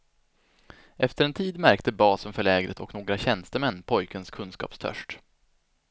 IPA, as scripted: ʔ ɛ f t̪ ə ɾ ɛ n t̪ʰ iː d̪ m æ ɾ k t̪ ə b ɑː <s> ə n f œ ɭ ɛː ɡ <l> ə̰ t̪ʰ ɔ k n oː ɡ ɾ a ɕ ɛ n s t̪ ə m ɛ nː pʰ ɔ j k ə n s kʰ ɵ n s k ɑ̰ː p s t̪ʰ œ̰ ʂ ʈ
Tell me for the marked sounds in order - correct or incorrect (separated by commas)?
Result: correct, incorrect